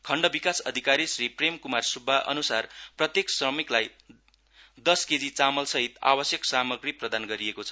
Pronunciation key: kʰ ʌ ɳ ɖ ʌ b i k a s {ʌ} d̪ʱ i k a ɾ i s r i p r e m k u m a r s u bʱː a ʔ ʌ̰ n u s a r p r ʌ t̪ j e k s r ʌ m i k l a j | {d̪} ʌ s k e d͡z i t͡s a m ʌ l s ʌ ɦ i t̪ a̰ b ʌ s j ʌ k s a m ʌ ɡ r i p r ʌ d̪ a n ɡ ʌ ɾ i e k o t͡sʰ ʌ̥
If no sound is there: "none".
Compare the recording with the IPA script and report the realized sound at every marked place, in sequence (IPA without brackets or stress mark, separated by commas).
ʌ, d̪